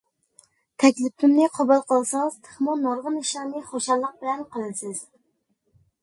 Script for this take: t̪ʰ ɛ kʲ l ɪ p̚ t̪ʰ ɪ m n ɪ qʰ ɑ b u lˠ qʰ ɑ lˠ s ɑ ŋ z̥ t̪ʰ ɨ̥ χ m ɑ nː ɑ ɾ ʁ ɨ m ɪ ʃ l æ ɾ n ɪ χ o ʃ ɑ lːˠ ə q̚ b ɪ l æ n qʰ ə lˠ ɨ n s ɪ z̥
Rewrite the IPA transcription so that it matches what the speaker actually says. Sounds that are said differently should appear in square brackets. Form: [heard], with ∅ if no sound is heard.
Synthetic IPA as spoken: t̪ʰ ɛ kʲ l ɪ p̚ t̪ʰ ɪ m n ɪ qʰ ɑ b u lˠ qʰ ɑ lˠ s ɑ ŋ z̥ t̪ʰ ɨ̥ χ m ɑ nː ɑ ɾ ʁ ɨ [n] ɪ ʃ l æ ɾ n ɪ χ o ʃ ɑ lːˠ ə q̚ b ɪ l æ n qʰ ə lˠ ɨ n s ɪ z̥

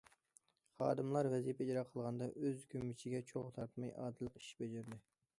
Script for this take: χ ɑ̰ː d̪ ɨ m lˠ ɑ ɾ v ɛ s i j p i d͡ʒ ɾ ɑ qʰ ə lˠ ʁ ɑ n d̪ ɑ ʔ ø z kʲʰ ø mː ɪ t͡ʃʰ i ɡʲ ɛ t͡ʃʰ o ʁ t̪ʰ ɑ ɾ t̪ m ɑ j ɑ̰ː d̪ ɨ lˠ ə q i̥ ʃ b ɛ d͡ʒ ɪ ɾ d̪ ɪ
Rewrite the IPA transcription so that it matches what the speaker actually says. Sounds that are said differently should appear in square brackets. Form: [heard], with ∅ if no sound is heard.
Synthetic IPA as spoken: χ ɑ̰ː d̪ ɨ m lˠ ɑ ɾ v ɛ [z] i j p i d͡ʒ ɾ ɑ qʰ ə lˠ ʁ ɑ n d̪ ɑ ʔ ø z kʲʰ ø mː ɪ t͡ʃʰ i ɡʲ ɛ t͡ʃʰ o ʁ t̪ʰ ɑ ɾ t̪ m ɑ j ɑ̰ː d̪ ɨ lˠ ə q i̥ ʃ b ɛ d͡ʒ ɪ ɾ d̪ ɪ

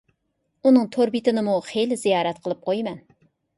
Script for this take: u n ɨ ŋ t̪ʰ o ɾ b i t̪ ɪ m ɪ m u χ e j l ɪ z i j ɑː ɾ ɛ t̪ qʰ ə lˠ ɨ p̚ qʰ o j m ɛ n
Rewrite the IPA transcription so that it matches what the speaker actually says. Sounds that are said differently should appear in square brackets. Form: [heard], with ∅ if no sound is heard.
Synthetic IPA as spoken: u n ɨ ŋ t̪ʰ o ɾ b i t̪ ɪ [n] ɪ m u χ e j l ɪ z i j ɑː ɾ ɛ t̪ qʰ ə lˠ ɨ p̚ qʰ o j m ɛ n

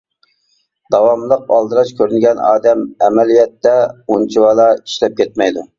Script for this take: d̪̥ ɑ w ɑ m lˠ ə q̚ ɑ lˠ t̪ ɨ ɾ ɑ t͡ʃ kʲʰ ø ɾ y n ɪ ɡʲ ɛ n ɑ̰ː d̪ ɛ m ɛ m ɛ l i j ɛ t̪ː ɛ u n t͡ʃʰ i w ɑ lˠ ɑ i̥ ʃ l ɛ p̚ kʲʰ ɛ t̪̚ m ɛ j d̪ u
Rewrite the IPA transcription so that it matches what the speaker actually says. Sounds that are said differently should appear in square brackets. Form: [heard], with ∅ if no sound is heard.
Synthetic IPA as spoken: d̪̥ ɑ w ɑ m lˠ ə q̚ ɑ lˠ [d̪] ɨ ɾ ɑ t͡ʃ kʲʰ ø ɾ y n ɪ ɡʲ ɛ n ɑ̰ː d̪ ɛ m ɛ m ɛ l i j ɛ t̪ː ɛ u n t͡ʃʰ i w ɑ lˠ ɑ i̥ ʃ l ɛ p̚ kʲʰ ɛ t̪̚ m ɛ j d̪ u

